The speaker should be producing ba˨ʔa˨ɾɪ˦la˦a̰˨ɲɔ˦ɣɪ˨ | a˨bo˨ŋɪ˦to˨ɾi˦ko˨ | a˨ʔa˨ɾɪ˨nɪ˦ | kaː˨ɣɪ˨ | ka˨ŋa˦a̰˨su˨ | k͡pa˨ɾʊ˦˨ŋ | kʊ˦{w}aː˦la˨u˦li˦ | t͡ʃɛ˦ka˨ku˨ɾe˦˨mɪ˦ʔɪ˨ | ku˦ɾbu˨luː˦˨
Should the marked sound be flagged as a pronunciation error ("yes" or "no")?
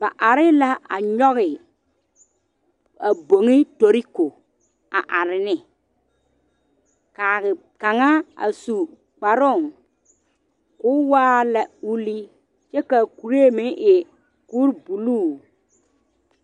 no